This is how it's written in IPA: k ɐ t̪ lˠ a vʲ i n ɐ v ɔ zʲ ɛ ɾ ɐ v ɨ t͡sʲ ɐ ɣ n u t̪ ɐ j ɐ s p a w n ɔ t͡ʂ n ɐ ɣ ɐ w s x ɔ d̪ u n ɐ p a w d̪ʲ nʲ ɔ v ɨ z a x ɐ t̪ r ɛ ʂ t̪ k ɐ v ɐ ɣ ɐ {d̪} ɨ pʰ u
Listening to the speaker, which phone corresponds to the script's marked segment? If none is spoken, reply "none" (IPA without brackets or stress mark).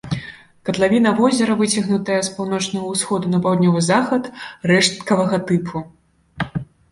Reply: t̪